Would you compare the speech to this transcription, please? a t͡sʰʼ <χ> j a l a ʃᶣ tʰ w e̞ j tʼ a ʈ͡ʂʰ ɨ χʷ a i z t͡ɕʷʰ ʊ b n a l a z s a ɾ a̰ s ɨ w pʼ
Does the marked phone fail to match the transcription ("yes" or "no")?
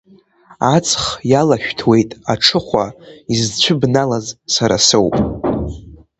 no